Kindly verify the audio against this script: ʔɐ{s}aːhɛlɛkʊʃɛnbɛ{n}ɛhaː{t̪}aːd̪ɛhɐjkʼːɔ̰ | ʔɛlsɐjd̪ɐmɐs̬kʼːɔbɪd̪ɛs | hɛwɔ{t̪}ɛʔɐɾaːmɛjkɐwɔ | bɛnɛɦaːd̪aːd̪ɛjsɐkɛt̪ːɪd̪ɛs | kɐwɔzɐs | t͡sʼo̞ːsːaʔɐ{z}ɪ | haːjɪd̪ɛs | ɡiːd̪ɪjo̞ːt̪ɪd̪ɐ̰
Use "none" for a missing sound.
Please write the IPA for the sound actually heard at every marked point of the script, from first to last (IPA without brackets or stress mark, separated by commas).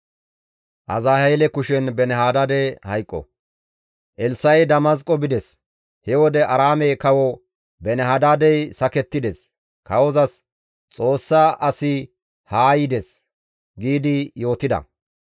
z, n, d̪, d̪, s